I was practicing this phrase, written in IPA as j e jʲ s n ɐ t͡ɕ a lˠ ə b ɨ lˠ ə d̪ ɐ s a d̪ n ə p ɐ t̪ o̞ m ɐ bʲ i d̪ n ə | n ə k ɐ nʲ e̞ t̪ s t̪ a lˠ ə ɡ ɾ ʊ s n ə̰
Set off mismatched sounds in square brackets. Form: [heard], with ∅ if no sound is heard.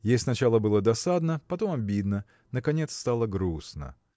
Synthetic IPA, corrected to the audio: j e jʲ s n ɐ t͡ɕ a lˠ ə b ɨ lˠ ə d̪ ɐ s a d̪ n ə p ɐ t̪ o̞ m ɐ bʲ i d̪ n ə | n ə k ɐ nʲ e̞ t̪ s t̪ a lˠ ə ɡ ɾ [u] s n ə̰